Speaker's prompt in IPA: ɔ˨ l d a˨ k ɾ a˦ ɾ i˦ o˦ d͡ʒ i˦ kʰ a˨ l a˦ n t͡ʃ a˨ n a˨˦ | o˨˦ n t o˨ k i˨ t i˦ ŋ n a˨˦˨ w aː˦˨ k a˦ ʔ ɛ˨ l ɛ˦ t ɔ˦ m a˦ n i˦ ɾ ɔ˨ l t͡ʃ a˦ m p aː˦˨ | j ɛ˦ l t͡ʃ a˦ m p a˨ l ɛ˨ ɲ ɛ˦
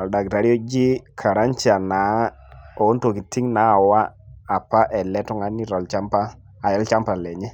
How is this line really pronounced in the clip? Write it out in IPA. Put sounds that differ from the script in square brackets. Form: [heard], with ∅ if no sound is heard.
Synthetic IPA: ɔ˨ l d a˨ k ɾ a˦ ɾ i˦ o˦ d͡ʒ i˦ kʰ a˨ [ɾ] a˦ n t͡ʃ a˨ n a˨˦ | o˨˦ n t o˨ k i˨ t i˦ ŋ n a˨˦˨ w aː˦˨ [p] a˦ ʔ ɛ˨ l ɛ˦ t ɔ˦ [ŋ] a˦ n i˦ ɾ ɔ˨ l t͡ʃ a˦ m p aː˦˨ | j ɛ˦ l t͡ʃ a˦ m p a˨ l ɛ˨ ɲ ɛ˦